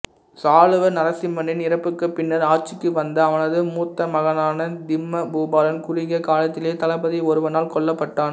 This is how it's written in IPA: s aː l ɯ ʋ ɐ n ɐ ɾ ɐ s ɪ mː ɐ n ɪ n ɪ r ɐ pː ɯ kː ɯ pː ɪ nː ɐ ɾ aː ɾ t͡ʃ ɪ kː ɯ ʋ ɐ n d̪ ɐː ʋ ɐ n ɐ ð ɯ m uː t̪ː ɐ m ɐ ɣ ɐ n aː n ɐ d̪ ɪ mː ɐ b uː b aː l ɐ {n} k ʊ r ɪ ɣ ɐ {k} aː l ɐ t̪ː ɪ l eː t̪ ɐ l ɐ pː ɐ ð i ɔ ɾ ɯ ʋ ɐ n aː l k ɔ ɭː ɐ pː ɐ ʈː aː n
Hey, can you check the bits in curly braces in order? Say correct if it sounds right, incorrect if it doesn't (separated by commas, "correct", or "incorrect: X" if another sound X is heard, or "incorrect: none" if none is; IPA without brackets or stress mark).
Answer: correct, correct